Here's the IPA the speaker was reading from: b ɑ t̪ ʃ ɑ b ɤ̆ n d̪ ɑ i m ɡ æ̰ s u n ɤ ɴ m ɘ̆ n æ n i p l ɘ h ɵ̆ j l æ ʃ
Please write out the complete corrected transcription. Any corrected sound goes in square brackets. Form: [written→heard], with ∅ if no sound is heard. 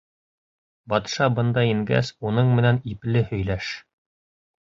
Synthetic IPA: b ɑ t̪ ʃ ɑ b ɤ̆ n d̪ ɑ i [m→ŋ] ɡ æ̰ s u n ɤ ɴ m ɘ̆ n æ n i p l ɘ h ɵ̆ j l æ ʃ